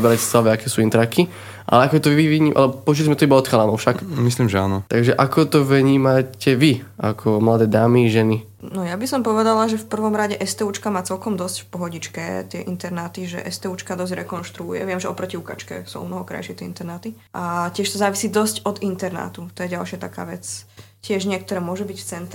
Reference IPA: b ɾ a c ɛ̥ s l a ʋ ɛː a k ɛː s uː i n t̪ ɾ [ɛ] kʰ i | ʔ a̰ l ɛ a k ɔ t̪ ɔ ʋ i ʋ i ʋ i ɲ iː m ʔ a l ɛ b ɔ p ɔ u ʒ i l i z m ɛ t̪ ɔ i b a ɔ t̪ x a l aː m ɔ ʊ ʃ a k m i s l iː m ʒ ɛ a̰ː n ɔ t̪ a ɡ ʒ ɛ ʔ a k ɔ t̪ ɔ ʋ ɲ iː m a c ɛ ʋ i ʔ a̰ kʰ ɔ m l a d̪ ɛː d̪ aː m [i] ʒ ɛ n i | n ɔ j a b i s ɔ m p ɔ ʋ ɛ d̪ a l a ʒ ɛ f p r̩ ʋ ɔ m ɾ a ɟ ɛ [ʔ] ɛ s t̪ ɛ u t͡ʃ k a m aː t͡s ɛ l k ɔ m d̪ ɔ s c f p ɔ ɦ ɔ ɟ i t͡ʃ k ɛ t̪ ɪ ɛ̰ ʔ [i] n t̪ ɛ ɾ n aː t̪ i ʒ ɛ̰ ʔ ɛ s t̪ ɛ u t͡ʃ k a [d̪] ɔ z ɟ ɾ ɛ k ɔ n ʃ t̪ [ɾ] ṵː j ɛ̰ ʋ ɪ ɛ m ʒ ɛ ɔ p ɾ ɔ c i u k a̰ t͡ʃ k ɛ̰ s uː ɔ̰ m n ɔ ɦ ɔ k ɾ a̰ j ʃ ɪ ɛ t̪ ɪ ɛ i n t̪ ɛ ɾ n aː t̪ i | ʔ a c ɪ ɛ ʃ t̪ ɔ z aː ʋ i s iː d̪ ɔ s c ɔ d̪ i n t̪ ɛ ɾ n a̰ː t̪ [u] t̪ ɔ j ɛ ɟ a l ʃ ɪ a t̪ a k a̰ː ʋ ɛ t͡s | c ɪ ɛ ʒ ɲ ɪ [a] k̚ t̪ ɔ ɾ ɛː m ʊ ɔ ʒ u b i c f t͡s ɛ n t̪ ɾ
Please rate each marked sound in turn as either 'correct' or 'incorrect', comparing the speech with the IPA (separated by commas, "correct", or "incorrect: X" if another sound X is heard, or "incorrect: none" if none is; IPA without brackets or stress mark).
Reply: incorrect: a, correct, correct, correct, correct, correct, correct, incorrect: ɛ